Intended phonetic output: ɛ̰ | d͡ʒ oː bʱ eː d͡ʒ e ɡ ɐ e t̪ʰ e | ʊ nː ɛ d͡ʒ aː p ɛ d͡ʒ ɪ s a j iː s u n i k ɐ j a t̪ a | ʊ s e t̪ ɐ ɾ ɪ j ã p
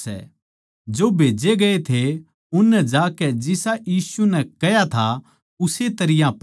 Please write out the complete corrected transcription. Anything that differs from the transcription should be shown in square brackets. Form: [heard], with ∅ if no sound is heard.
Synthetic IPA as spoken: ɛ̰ | d͡ʒ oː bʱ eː d͡ʒ e ɡ ɐ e t̪ʰ e | ʊ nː ɛ d͡ʒ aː [k] ɛ d͡ʒ ɪ s a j iː s u n [ɛ] k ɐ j a [t̪ʰ] a | ʊ s e t̪ ɐ ɾ ɪ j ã p

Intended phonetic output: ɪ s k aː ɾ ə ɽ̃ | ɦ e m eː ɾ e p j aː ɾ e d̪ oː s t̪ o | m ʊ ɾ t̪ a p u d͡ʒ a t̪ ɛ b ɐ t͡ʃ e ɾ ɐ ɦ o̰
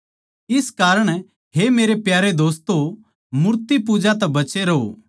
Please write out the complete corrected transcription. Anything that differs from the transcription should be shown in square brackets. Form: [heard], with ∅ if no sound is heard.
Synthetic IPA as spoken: ɪ s k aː ɾ ə ɽ̃ | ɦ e m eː ɾ e p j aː ɾ e d̪ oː s t̪ o | m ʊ ɾ t̪ [i] p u d͡ʒ a t̪ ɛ b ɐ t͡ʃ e ɾ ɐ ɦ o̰

